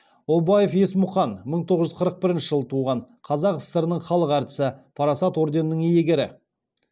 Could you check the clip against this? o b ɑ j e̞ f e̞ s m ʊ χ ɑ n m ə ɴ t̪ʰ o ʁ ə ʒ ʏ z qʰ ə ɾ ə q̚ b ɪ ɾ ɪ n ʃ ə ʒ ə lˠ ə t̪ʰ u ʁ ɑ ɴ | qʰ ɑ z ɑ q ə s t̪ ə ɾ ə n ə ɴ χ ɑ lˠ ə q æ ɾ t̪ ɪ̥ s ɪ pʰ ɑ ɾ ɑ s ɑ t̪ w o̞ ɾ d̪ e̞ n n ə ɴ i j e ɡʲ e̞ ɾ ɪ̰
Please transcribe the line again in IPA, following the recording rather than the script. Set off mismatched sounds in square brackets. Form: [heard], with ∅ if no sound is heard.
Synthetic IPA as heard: o b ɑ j e̞ f e̞ s m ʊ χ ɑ n m ə ɴ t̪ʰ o ʁ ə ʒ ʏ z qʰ ə ɾ ə q̚ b ɪ ɾ ɪ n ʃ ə ʒ ə lˠ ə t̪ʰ u ʁ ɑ ɴ | qʰ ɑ z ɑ q ə s t̪ ə ɾ ə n ə ɴ χ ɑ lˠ ə q æ ɾ t̪ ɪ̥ s ɪ pʰ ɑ ɾ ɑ s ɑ t̪ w o̞ ɾ d̪ e̞ n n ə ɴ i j e ɡʲ e̞ ɾ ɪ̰